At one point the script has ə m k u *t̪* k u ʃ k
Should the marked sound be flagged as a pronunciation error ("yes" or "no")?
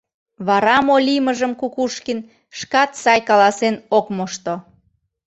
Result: yes